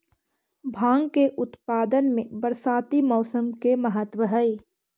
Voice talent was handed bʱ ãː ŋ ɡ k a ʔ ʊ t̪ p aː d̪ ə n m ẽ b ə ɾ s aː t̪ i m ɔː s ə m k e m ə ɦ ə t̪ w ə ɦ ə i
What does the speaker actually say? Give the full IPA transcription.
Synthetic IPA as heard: bʱ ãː ŋ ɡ k e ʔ ʊ t̪ p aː d̪ ə n m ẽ b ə ɾ s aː t̪ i m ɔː s ə m k e m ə ɦ ə t̪ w ə ɦ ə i